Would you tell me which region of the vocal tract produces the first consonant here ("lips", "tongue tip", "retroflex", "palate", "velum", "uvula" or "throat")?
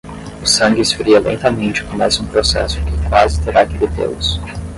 tongue tip